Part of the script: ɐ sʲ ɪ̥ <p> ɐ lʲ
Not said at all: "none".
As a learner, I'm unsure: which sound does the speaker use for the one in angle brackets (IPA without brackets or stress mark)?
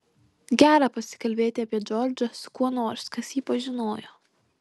k